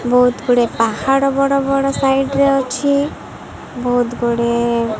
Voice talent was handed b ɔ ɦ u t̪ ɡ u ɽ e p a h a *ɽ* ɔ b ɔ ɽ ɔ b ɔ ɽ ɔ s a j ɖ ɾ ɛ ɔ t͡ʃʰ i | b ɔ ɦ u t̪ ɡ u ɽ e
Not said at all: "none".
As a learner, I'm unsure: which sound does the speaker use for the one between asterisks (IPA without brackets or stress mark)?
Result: ɽ